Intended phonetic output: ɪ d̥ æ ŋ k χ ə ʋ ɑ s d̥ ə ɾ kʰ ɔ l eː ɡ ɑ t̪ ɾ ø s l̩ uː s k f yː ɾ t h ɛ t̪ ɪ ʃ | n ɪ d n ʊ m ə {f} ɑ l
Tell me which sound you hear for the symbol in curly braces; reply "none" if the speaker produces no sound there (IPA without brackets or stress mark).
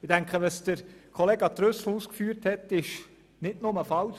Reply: f